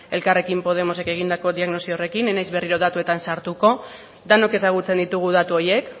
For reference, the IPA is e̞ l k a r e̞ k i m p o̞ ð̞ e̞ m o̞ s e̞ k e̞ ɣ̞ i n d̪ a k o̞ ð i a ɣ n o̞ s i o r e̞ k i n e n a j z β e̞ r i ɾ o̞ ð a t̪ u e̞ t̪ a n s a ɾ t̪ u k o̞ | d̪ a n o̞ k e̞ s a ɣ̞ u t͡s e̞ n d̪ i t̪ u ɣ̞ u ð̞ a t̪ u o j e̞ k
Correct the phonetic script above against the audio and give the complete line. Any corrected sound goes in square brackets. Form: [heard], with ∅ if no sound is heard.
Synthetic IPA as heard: e̞ l k a r e̞ k i m p o̞ ð̞ e̞ m o̞ s e̞ k e̞ ɣ̞ i n d̪ a k o̞ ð i a ɣ n o̞ s i o r e̞ k i n e n a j z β e̞ r i ɾ o̞ ð a t̪ u e̞ t̪ a n s a ɾ t̪ u k o̞ | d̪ a n o̞ k e̞ s a ɣ̞ u t͡s e̞ n d̪ i t̪ u ɣ̞ u ð̞ a t̪ u o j e̞ k

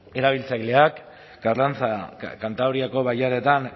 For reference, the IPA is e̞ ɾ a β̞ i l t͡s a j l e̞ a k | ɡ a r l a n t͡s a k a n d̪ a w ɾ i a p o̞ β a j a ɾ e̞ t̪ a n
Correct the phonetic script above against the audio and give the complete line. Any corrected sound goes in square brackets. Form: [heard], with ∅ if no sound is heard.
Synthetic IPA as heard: e̞ ɾ a β̞ i l t͡s a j l e̞ a k | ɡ a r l a n t͡s a k a n [t̪] a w ɾ i a [k] o̞ β a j a ɾ e̞ t̪ a n

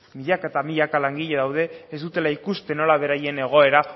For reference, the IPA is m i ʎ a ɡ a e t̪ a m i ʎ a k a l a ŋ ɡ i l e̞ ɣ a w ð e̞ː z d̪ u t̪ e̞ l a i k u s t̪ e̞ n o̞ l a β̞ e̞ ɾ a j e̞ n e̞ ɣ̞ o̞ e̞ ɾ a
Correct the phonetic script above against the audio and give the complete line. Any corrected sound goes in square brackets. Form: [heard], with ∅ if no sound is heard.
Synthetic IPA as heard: m i ʎ a [k] a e t̪ a m i ʎ a k a l a ŋ ɡ i [ʎ] e̞ [ð] a w ð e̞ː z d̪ u t̪ e̞ l a i k u s t̪ e̞ n o̞ l a β̞ e̞ ɾ a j e̞ n e̞ ɣ̞ o̞ e̞ ɾ a

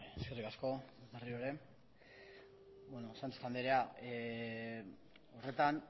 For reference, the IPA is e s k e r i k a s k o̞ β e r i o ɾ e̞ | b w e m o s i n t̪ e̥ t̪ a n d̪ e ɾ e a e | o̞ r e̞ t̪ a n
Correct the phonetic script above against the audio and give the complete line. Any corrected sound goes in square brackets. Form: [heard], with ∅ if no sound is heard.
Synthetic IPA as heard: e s k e r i k a s k o̞ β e r i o ɾ e̞ | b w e [n] o s [a] n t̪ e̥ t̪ a n d̪ e ɾ e a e | o̞ r e̞ t̪ a n

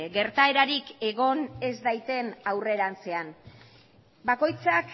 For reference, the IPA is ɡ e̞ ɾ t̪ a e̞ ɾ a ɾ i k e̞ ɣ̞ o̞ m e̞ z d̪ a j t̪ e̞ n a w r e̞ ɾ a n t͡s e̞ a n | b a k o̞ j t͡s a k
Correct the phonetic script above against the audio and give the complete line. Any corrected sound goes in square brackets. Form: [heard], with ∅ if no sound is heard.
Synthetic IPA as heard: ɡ e̞ ɾ t̪ a e̞ ɾ a ɾ i k e̞ ɣ̞ o̞ [n] e̞ z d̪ a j t̪ e̞ n a w r e̞ ɾ a n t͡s e̞ a n | b a k o̞ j t͡s a k

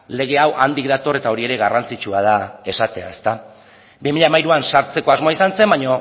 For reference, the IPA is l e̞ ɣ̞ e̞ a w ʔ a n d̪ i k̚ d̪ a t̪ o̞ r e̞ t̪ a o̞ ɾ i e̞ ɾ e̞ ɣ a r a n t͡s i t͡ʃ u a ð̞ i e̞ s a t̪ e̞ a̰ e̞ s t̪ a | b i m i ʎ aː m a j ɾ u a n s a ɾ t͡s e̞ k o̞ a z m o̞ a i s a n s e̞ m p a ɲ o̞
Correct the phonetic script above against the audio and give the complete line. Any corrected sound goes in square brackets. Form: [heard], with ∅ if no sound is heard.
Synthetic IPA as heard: l e̞ ɣ̞ e̞ a w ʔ a n d̪ i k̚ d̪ a t̪ o̞ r e̞ t̪ a o̞ ɾ i e̞ ɾ e̞ ɣ a r a n t͡s i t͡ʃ u a ð̞ [a] e̞ s a t̪ e̞ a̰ e̞ s t̪ a | b i m i ʎ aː m a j ɾ u a n s a ɾ t͡s e̞ k o̞ a z m o̞ a i s a n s e̞ m [b] a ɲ o̞

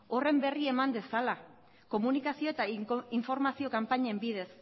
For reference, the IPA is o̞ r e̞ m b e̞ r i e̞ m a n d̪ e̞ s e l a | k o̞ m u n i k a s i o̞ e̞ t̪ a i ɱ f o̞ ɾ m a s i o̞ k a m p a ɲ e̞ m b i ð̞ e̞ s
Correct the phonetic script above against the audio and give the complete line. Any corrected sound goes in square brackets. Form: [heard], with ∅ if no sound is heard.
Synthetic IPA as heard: o̞ r e̞ m b e̞ r i e̞ m a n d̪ e̞ s [a] l a | k o̞ m u n i k a s i o̞ e̞ t̪ a i ɱ f o̞ ɾ m a s i o̞ k a m p a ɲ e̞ m b i ð̞ e̞ s

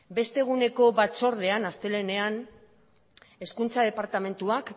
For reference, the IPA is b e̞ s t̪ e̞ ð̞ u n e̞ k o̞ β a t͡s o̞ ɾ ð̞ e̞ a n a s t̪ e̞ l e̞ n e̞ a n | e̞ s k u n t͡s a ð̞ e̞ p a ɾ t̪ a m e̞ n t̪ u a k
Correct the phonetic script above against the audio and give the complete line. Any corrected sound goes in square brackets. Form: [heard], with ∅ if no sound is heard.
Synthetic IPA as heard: b e̞ s t̪ e̞ [ɣ̞] u n e̞ k o̞ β a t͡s o̞ ɾ ð̞ e̞ a n a s t̪ e̞ l e̞ n e̞ a n | e̞ s k u n t͡s a ð̞ e̞ p a ɾ t̪ a m e̞ n t̪ u a k

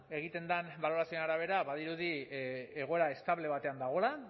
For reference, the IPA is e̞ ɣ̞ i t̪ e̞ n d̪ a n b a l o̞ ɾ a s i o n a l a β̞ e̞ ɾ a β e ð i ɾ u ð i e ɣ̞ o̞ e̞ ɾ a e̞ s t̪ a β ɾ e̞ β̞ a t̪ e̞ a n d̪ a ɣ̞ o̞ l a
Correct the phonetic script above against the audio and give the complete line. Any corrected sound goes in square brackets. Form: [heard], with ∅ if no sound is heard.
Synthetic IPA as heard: e̞ ɣ̞ i t̪ e̞ n d̪ a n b a l o̞ ɾ a s i o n a [ɾ] a β̞ e̞ ɾ a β [a] ð i ɾ u ð i e ɣ̞ o̞ e̞ ɾ a e̞ s t̪ a β [l] e̞ β̞ a t̪ e̞ a n d̪ a ɣ̞ o̞ l a

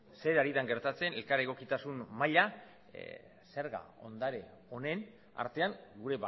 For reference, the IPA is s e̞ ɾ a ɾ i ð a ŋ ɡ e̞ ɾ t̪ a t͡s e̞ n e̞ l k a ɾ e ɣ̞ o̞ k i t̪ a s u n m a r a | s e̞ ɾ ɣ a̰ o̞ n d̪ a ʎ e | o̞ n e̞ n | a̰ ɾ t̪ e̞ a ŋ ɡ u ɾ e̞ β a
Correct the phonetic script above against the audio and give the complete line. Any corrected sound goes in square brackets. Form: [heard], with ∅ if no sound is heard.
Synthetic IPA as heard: s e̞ ɾ a ɾ i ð a ŋ ɡ e̞ ɾ t̪ a t͡s e̞ n e̞ l k a ɾ e ɣ̞ o̞ k i t̪ a s u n m a [ʎ] a | s e̞ ɾ ɣ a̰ o̞ n d̪ a [ɾ] e | o̞ n e̞ n | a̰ ɾ t̪ e̞ a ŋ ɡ u ɾ e̞ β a

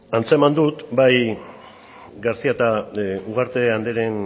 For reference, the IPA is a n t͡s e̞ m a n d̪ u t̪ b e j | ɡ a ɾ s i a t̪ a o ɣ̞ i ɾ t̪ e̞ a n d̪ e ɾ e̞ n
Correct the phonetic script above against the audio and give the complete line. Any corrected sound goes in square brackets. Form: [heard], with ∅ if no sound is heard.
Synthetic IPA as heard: a n t͡s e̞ m a n d̪ u t̪ b [a] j | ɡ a ɾ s i a t̪ a [u] ɣ̞ [a] ɾ t̪ e̞ a n d̪ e ɾ e̞ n

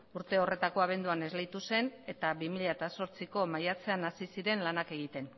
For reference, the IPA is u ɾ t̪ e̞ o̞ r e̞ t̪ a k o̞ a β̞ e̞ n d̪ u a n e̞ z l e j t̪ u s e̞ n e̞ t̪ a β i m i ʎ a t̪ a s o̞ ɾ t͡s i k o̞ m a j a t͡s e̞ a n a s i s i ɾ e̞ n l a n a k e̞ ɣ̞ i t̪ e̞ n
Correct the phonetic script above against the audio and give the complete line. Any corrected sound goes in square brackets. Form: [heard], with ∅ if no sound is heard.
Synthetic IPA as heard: u ɾ t̪ e̞ o̞ r e̞ t̪ a k o̞ a β̞ e̞ n d̪ u a n e̞ z l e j t̪ u s e̞ n e̞ t̪ a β i m i ʎ a t̪ a s o̞ ɾ t͡s i k o̞ m a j a t͡s e̞ a n a s i s i ɾ e̞ n l a n a k e̞ ɣ̞ i t̪ e̞ n

